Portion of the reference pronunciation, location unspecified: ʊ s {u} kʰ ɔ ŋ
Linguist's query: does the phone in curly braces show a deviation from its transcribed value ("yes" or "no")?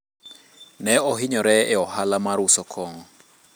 yes